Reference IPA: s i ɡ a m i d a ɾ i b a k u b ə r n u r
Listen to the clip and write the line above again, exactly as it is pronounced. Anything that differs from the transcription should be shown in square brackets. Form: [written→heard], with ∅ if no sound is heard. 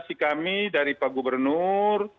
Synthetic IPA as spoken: s i [ɡ→k] a m i d a ɾ i [b→p] a [k→ɡ] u b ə r n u r